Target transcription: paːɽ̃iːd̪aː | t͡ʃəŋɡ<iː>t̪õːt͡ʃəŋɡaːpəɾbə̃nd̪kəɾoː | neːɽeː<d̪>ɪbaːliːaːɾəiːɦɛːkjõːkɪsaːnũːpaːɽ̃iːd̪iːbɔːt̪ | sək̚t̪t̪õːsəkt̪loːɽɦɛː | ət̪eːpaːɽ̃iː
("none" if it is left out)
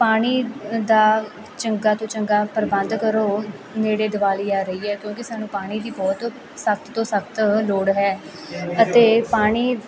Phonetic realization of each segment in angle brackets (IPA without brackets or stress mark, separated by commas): aː, d̪